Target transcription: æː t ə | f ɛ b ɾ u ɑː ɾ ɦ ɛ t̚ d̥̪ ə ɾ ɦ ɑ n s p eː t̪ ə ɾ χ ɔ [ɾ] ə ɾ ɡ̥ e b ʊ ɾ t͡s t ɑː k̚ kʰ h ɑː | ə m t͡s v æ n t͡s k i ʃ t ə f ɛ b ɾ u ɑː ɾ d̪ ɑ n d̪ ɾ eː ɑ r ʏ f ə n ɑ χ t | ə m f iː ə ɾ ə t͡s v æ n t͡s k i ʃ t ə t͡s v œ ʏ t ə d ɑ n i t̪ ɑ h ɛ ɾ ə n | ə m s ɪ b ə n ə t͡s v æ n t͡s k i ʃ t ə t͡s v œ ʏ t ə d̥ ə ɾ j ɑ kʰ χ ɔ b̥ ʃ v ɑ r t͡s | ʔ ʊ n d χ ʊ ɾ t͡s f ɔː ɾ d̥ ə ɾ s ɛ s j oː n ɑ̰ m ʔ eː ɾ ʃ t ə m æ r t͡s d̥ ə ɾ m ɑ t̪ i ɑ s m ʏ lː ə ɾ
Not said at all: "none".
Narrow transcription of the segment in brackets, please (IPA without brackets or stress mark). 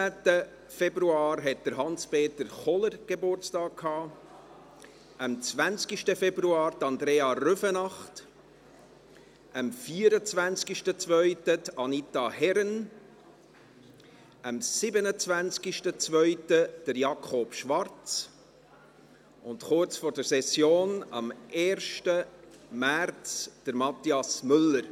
l